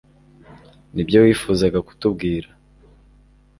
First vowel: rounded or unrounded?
unrounded